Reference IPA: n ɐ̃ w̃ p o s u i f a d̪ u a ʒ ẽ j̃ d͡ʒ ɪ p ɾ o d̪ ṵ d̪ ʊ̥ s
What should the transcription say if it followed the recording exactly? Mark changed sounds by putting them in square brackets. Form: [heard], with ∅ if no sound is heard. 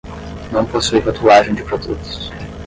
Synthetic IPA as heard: n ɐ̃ w̃ p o s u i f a [t̪] u a ʒ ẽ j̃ d͡ʒ ɪ p ɾ o d̪ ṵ [t̪] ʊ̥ s